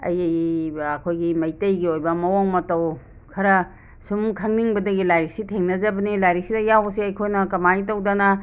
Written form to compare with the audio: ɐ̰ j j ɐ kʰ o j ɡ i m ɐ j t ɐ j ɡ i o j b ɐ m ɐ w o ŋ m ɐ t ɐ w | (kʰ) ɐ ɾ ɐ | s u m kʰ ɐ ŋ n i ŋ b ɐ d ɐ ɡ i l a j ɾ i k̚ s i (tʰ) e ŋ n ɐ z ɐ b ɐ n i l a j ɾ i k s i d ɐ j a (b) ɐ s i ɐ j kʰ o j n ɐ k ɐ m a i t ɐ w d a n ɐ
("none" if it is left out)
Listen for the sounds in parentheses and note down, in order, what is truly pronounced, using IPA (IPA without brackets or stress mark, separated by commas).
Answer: kʰ, tʰ, w